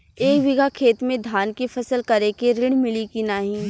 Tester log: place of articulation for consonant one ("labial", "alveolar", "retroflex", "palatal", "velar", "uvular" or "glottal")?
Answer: velar